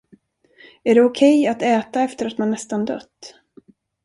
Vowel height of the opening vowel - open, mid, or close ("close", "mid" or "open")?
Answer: open